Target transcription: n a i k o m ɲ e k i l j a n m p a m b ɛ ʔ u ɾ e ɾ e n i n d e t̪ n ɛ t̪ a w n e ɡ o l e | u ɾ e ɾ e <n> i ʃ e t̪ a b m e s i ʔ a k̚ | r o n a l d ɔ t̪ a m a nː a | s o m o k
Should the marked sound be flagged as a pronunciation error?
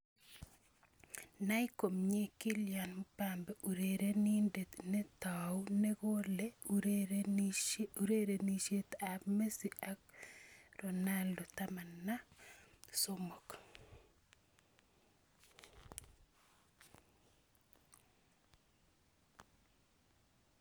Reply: no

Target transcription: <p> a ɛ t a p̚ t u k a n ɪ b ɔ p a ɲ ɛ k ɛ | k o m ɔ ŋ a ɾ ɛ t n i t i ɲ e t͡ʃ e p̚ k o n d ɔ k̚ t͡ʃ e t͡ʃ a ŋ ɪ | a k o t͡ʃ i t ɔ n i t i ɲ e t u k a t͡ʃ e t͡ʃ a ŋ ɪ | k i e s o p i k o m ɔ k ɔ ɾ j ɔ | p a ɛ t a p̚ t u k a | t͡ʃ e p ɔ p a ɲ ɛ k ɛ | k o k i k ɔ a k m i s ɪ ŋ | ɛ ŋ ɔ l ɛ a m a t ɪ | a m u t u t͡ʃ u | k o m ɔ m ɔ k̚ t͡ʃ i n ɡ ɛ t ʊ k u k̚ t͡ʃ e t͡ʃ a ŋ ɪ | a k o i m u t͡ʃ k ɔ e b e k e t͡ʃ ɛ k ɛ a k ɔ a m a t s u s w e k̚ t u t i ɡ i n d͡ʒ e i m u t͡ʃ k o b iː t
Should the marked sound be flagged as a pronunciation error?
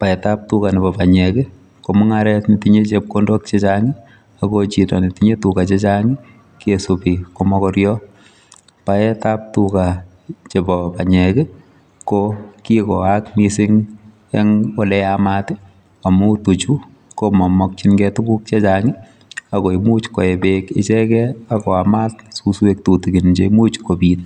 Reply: no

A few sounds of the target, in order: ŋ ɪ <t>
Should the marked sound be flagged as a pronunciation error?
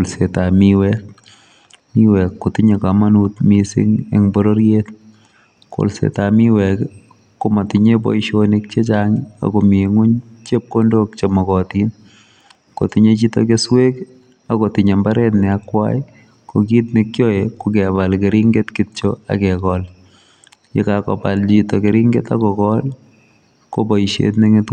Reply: no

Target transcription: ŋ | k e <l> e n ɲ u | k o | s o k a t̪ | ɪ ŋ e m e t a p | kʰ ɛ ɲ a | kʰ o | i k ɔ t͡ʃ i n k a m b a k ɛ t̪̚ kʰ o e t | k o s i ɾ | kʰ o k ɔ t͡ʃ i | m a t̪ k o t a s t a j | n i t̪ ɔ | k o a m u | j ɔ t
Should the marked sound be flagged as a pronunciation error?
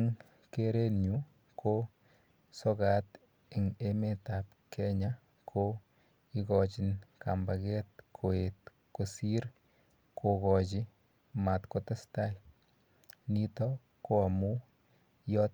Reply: yes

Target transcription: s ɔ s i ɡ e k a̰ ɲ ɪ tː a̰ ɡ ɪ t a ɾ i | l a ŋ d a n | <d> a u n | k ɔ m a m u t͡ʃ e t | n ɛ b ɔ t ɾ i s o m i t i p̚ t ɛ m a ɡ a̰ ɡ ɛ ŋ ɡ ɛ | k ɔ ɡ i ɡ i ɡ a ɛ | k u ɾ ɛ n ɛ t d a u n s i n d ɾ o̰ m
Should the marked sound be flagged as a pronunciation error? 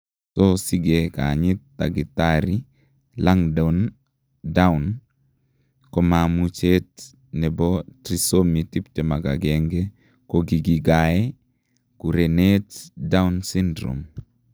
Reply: no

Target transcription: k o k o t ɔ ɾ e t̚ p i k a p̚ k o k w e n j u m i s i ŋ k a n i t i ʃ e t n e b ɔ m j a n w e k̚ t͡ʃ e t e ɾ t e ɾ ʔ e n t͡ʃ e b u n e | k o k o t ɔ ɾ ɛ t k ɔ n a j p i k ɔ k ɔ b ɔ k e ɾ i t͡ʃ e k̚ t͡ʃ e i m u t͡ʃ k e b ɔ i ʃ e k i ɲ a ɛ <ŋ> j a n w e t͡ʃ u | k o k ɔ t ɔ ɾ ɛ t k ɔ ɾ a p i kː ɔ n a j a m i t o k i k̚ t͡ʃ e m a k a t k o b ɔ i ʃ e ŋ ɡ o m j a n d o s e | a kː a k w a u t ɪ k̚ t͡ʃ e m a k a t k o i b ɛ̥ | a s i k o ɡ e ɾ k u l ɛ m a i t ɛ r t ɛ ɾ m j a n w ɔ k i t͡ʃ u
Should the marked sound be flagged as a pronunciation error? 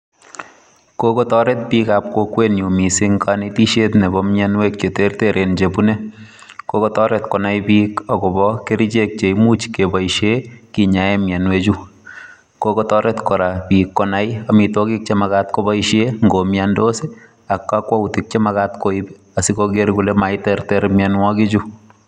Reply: yes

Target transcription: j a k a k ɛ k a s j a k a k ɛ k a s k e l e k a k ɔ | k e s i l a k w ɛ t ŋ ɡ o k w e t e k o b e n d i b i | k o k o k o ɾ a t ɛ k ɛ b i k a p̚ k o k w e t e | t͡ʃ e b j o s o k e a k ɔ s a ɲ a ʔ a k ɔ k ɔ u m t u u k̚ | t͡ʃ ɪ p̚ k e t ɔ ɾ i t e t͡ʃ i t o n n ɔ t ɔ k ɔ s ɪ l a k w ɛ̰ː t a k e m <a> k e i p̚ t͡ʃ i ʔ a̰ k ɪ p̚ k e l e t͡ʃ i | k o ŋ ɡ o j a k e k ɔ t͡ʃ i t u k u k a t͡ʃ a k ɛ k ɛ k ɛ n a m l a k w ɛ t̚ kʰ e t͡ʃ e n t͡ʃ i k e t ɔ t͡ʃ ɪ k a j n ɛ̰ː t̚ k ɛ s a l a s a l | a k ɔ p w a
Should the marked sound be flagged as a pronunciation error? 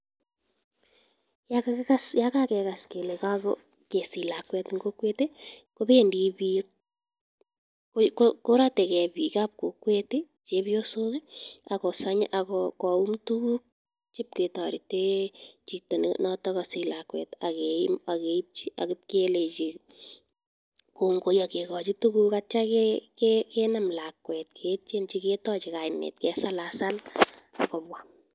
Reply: no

